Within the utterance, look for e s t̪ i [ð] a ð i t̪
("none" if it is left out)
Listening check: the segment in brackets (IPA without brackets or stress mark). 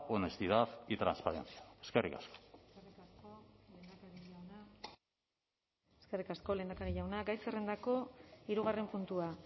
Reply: ð